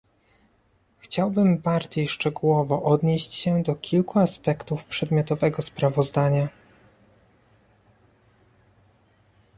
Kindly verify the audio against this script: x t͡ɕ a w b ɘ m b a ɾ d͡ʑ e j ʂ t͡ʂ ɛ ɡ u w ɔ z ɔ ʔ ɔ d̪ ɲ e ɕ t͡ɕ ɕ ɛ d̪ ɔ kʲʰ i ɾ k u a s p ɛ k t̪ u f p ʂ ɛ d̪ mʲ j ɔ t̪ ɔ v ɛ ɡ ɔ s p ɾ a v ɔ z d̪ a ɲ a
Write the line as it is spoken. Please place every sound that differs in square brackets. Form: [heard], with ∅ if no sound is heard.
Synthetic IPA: x t͡ɕ a w b ɘ m b a ɾ d͡ʑ e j ʂ t͡ʂ ɛ ɡ u w ɔ [v] ɔ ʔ ɔ d̪ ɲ e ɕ t͡ɕ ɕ ɛ d̪ ɔ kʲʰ i [l] k u a s p ɛ k t̪ u f p ʂ ɛ d̪ mʲ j ɔ t̪ ɔ v ɛ ɡ ɔ s p ɾ a v ɔ z d̪ a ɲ a